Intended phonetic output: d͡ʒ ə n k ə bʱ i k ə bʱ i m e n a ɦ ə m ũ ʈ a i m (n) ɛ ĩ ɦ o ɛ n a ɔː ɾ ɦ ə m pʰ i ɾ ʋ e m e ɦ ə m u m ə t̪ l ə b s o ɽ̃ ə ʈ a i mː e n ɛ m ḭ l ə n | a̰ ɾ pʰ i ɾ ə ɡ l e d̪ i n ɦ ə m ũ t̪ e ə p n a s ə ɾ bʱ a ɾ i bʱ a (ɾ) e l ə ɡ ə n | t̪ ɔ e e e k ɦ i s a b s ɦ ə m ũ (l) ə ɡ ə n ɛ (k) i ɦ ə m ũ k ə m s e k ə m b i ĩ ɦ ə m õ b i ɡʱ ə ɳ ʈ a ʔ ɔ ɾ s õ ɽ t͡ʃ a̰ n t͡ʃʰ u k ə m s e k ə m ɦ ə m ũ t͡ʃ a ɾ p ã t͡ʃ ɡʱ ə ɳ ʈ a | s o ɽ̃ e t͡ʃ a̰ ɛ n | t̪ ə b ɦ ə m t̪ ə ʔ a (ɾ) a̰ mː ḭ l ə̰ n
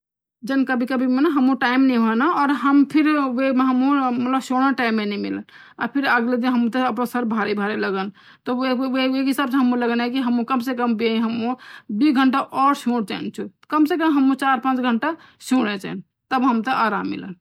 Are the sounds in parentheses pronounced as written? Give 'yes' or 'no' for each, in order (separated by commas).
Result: yes, yes, yes, yes, yes